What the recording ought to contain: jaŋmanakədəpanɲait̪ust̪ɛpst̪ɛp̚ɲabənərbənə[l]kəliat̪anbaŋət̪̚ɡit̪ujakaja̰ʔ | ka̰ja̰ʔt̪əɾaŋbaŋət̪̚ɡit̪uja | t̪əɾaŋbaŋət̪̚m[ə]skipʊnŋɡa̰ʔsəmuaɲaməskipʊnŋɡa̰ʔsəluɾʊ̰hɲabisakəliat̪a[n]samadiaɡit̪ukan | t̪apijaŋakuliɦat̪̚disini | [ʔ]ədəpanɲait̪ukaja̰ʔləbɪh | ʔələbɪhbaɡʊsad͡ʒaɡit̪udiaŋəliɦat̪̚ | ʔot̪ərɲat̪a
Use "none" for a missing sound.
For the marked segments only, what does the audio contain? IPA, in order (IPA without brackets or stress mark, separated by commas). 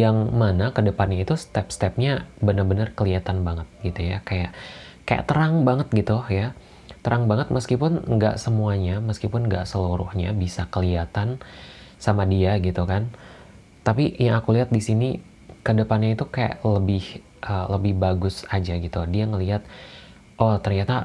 r, ə, n, k